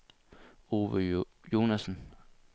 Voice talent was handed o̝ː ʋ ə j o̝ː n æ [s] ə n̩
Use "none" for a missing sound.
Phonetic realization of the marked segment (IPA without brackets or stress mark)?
s